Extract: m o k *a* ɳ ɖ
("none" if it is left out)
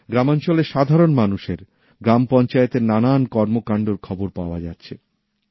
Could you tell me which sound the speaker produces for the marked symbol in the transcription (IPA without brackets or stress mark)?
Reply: a